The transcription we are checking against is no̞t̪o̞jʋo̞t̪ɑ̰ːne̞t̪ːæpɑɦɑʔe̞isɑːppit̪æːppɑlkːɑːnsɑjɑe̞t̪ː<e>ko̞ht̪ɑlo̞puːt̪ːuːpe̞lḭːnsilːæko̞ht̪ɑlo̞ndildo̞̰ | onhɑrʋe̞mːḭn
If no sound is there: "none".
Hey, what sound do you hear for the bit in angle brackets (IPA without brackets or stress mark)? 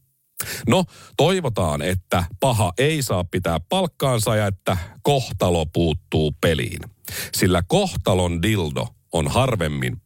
æ